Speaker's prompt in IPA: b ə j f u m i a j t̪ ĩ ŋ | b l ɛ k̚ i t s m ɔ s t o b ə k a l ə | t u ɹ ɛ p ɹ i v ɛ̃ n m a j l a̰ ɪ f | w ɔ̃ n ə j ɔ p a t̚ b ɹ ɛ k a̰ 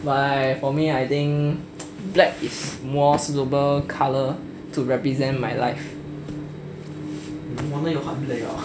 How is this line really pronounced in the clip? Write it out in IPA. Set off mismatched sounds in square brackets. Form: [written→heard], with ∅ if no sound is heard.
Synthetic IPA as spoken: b [ə→a] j f [u→ɔ] m i a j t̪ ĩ ŋ | b l ɛ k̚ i [t→∅] s m ɔ s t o b ə [k→kʰ] a l ə | t u ɹ ɛ p ɹ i [v→z] ɛ̃ n m a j l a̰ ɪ f | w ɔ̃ n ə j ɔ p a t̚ b [ɹ→l] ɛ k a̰